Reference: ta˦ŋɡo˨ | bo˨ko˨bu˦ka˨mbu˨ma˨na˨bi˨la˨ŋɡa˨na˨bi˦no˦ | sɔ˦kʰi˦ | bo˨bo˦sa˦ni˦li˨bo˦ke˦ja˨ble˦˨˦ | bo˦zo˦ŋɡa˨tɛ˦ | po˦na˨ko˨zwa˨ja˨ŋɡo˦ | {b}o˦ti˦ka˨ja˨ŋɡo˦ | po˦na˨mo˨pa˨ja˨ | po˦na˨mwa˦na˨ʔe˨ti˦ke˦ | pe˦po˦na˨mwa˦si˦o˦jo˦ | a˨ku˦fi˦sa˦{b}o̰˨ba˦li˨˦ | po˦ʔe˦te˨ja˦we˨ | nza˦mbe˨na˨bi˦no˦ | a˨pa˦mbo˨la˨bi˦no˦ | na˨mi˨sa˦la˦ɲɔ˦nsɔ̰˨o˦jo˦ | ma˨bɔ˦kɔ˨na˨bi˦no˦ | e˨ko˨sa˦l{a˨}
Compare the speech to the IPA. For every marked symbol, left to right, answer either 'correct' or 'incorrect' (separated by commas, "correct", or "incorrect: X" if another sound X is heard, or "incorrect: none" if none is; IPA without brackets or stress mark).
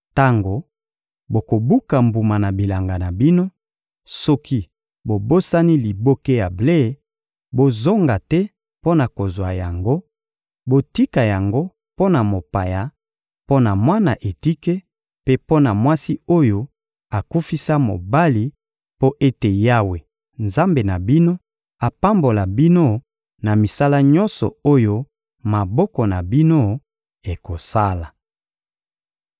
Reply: correct, incorrect: m, correct